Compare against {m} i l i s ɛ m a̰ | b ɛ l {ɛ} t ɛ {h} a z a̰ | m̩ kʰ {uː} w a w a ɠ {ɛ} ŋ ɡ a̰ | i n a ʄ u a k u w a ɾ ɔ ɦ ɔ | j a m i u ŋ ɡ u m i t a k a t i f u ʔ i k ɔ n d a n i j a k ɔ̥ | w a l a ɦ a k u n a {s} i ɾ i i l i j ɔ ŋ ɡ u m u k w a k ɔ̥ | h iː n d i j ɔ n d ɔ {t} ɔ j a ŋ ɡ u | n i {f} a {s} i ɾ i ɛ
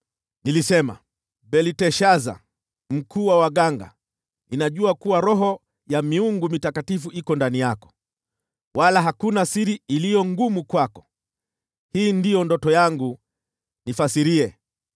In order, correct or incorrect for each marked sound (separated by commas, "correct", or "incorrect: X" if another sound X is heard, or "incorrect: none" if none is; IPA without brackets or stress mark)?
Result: incorrect: n, incorrect: i, incorrect: ʃ, correct, incorrect: a, correct, correct, correct, correct